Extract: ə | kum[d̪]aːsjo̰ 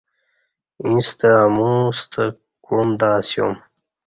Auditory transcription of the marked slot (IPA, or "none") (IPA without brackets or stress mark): d̪